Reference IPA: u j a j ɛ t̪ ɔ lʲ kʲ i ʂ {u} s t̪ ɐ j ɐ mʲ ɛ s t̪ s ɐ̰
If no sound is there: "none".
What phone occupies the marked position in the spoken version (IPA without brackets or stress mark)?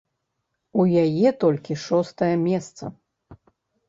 ɔ